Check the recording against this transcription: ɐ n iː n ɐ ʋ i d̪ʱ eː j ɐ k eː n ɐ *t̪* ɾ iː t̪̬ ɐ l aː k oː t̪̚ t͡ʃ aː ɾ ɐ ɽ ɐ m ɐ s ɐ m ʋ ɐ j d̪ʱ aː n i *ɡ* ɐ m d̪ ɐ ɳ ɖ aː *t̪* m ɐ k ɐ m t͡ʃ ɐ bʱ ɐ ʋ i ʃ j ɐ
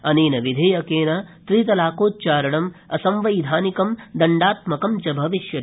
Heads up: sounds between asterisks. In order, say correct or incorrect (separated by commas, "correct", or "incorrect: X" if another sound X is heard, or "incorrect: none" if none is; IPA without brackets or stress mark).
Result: correct, incorrect: k, correct